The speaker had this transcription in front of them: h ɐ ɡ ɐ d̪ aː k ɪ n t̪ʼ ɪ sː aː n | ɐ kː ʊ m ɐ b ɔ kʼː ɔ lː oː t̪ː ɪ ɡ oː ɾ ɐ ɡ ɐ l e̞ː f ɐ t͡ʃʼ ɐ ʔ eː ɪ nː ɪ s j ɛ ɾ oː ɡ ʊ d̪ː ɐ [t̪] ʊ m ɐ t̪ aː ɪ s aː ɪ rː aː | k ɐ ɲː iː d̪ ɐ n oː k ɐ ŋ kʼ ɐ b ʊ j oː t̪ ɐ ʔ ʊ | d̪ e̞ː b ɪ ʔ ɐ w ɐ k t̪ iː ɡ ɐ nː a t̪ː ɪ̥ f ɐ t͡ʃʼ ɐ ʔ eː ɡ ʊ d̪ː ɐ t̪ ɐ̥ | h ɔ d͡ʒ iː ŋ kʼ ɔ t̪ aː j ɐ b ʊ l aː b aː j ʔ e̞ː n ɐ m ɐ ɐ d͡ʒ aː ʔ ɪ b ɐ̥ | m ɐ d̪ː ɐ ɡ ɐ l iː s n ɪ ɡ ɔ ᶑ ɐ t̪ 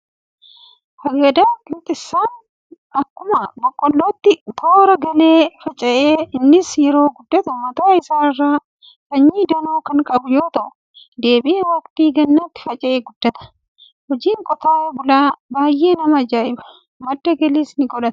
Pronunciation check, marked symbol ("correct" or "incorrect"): correct